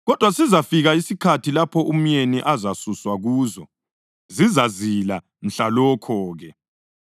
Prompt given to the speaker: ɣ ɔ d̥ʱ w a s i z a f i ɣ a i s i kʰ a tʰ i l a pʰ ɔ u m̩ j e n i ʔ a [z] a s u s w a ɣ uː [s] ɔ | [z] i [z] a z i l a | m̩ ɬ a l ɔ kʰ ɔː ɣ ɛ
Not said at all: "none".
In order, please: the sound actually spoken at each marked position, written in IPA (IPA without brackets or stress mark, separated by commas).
z, z, z, z